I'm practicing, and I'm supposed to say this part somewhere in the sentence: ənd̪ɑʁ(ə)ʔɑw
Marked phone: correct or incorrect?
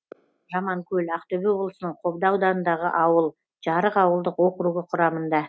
correct